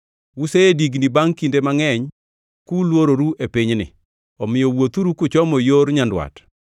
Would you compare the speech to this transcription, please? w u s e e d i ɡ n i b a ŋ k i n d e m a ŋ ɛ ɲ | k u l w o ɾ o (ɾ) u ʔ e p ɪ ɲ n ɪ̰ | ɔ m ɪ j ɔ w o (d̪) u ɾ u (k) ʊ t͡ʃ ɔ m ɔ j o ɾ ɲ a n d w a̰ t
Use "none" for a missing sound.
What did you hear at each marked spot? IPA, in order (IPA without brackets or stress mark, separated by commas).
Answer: ɾ, t̪, k